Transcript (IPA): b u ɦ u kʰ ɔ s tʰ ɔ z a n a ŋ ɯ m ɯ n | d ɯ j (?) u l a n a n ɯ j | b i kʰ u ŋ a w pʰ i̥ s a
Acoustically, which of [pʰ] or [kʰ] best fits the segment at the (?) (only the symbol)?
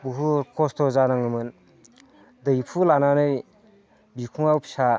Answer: pʰ